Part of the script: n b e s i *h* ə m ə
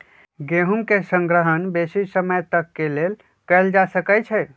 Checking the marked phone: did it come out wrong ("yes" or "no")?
yes